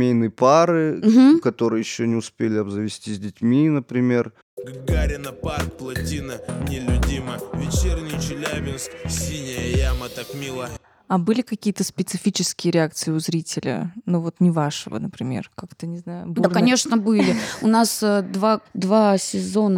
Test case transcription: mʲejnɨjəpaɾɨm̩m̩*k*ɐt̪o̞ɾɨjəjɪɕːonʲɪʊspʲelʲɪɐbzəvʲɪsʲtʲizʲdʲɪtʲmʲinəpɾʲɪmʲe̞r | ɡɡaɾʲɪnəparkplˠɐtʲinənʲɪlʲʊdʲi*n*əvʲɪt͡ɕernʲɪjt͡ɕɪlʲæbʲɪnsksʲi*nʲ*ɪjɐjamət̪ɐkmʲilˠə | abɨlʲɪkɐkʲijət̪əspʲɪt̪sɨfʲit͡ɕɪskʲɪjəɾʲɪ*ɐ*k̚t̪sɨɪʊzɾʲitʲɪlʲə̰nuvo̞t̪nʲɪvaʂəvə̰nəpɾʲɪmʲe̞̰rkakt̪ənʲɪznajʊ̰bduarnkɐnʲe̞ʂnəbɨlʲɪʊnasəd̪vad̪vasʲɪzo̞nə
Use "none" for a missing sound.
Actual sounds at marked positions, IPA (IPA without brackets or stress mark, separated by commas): k, m, nʲ, a